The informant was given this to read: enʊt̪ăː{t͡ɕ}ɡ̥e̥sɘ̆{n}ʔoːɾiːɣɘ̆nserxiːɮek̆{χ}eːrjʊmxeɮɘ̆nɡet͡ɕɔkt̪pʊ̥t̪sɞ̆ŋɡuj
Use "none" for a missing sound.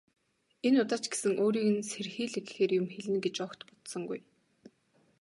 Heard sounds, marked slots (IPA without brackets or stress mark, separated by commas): t͡ɕ, ŋ, x